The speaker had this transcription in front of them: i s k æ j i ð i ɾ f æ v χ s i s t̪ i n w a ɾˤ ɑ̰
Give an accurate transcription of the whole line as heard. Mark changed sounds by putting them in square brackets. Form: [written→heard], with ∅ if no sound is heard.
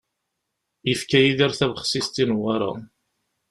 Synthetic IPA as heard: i [s→f] k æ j i ð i ɾ [f→θ] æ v χ s i s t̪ i n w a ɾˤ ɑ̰